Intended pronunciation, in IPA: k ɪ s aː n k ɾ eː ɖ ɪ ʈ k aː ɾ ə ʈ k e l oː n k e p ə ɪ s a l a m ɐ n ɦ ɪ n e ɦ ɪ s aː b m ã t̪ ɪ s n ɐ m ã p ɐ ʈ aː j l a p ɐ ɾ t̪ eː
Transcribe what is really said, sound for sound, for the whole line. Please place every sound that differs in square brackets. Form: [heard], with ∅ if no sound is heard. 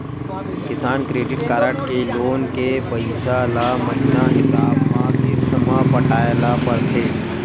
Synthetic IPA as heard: k ɪ s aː n k ɾ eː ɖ ɪ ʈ k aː ɾ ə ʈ k e l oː n k e p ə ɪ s a l a m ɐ [∅] ɦ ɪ n [a] ɦ ɪ s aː b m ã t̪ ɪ s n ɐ m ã p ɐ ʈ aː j l a p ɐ ɾ [t̪ʰ] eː